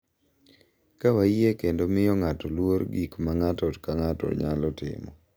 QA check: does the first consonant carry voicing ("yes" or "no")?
no